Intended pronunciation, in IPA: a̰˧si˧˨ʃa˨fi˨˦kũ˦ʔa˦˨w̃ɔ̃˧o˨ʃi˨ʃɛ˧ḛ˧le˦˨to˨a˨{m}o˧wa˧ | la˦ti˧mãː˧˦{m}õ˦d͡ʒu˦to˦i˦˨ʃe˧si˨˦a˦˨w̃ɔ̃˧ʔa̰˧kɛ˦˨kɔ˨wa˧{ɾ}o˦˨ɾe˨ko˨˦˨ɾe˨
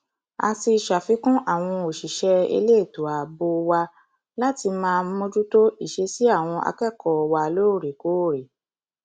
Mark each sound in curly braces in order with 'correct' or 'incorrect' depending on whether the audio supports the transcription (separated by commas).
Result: incorrect, correct, incorrect